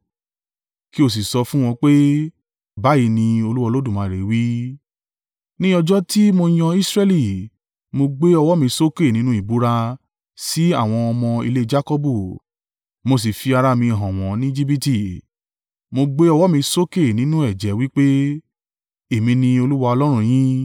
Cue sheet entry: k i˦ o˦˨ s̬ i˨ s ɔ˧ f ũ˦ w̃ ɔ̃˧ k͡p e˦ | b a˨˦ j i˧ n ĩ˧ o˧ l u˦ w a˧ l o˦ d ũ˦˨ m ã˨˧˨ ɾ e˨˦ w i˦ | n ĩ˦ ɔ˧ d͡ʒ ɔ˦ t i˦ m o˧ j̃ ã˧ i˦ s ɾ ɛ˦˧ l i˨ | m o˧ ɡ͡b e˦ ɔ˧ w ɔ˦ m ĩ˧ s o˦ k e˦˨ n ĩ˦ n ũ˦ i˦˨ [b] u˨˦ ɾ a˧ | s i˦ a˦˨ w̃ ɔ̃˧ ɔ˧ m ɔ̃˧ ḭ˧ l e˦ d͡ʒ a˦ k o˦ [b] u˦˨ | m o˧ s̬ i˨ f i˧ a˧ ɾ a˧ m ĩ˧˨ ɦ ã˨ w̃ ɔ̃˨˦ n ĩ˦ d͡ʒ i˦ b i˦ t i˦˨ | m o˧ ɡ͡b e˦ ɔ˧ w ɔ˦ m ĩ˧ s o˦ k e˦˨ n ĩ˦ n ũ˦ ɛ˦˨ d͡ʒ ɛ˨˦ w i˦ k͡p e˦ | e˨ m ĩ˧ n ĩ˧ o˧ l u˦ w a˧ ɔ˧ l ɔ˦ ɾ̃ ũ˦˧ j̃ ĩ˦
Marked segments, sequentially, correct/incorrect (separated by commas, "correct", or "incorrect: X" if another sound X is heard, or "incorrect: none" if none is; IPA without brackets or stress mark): correct, correct